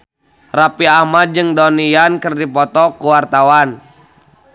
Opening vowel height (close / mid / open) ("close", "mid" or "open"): open